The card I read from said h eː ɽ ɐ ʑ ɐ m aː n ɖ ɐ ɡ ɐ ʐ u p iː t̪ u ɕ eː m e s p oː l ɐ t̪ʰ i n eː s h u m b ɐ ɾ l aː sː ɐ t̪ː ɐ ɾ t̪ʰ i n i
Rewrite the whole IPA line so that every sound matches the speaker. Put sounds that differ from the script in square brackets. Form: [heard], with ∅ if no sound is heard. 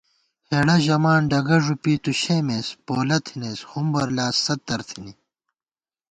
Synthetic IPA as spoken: h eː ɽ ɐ ʑ ɐ m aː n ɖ ɐ ɡ ɐ ʐ u p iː t̪ u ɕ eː m e s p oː l ɐ t̪ʰ i n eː s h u m b ɐ ɾ l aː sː ɐ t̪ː ɐ ɾ t̪ʰ i n i